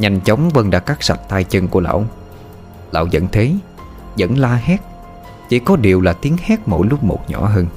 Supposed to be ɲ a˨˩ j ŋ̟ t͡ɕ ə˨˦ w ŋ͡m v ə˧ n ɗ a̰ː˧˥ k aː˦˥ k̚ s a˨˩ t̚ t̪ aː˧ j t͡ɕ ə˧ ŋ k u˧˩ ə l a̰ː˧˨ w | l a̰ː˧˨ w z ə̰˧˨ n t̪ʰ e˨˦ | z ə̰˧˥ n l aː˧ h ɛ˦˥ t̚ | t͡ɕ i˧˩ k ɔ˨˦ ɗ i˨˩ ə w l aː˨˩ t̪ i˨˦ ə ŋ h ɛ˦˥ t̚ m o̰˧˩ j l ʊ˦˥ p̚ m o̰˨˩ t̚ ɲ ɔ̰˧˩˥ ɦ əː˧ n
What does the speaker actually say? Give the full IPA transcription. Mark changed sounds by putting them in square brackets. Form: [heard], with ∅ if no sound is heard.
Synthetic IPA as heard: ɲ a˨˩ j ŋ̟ t͡ɕ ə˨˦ w ŋ͡m v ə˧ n ɗ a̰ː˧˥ k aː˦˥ k̚ s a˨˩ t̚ t̪ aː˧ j t͡ɕ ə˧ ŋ k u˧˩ ə l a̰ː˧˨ w | l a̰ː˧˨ w z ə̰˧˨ n t̪ʰ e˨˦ | z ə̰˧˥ n l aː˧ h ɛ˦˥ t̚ | t͡ɕ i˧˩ k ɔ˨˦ ɗ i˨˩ ə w l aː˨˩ t̪ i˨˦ ə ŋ h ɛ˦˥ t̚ m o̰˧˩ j l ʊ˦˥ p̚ m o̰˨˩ t̚ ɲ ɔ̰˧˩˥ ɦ əː˧ n